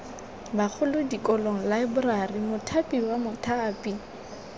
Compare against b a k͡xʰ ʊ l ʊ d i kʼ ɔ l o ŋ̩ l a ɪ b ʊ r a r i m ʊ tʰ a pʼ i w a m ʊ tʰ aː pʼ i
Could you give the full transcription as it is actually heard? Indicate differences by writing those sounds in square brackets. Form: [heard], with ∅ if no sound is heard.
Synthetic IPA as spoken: b a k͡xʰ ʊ l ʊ d i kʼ ɔ l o ŋ̩ l a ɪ b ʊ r a r i m ʊ tʰ a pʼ i w a m ʊ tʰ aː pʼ i